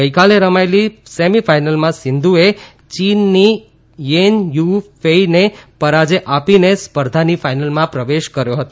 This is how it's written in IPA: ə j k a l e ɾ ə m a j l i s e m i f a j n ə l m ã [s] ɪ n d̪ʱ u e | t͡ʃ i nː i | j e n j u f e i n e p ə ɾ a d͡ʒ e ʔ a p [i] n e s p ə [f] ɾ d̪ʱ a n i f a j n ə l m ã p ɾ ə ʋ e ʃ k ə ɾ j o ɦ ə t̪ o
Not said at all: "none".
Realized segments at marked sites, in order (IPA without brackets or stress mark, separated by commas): s, i, none